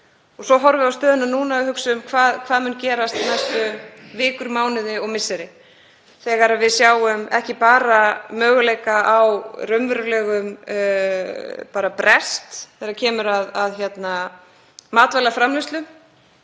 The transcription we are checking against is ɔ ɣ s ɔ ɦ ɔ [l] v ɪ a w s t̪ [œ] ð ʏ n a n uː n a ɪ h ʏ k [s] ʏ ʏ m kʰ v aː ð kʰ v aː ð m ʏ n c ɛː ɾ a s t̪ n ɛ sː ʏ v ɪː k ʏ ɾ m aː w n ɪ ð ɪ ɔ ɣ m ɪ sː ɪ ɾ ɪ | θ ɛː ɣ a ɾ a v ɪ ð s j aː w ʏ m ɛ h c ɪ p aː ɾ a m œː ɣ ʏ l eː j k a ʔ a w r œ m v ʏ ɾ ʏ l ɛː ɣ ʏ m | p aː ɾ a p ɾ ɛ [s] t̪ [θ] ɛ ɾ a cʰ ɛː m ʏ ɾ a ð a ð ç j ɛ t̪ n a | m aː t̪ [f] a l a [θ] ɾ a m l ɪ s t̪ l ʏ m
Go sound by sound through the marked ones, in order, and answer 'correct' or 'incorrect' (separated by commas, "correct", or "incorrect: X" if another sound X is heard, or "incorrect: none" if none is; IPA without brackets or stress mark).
incorrect: ɾ, incorrect: œː, correct, correct, correct, incorrect: v, incorrect: f